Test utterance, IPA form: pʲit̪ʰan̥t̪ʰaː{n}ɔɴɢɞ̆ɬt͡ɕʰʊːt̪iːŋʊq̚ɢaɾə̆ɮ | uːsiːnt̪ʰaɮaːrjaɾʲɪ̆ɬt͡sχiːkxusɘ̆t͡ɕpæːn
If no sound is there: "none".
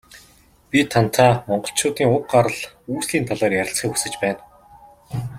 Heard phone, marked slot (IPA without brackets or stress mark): m